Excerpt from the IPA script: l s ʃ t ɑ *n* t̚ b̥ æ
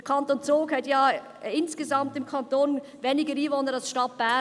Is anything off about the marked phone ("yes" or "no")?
yes